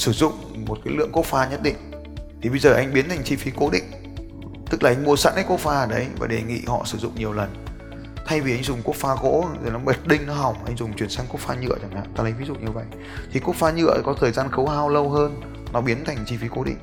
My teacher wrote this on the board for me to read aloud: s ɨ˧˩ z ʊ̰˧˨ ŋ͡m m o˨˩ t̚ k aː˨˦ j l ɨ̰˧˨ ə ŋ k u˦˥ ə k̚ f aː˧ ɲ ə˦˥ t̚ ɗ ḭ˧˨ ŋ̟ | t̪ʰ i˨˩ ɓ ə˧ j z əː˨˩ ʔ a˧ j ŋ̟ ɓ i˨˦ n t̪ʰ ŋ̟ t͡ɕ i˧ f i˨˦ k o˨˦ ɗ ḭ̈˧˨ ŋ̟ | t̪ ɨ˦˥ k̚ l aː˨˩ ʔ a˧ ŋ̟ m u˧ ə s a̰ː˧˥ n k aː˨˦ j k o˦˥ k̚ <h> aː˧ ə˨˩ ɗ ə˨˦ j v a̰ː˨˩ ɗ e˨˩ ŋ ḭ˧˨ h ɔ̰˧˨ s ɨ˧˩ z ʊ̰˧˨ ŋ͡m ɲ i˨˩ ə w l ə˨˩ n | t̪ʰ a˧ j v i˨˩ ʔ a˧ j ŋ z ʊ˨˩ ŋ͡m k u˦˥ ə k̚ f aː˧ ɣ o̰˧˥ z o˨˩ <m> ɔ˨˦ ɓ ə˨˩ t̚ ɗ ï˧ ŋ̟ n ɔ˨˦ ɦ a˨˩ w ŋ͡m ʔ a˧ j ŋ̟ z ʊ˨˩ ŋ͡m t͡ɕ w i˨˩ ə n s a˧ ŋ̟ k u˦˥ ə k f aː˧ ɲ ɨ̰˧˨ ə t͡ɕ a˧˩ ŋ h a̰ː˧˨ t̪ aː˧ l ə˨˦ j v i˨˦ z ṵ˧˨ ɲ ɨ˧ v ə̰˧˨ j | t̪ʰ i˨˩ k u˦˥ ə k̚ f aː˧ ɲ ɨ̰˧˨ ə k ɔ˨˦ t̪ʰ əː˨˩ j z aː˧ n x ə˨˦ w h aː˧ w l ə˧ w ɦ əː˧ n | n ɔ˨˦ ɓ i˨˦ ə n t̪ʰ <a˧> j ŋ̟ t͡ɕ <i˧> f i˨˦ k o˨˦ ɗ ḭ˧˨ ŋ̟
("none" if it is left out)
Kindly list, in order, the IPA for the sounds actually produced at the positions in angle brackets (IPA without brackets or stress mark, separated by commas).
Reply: f, n, a˨˩, i˧